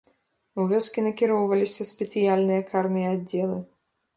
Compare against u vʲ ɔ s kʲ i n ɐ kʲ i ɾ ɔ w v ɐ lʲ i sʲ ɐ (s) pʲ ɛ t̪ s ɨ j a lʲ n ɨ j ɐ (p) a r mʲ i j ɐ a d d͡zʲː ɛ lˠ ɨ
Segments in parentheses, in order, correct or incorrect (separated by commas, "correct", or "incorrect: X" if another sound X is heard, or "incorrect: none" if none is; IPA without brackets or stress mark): correct, incorrect: k